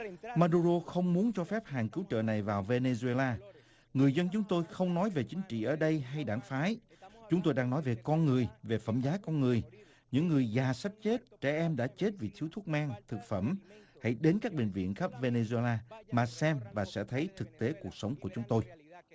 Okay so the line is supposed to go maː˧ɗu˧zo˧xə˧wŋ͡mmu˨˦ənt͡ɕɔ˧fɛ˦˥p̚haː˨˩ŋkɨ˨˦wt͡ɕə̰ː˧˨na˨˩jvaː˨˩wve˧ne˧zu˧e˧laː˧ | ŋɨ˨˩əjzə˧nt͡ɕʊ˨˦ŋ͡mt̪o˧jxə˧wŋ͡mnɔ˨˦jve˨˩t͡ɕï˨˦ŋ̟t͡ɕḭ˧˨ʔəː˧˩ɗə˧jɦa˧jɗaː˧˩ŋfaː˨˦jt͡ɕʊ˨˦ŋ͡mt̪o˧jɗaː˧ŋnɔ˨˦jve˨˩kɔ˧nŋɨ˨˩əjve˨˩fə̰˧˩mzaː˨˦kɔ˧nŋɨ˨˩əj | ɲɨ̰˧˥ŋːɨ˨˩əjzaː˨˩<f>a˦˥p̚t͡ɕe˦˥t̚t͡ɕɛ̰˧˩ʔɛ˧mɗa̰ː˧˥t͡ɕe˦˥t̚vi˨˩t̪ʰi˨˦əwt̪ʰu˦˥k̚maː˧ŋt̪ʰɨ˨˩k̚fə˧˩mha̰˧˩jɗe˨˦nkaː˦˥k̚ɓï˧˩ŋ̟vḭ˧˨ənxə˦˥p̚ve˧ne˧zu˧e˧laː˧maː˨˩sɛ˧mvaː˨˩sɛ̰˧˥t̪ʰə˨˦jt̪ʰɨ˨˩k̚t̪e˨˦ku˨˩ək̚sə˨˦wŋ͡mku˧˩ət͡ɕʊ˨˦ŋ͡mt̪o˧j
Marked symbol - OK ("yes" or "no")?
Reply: no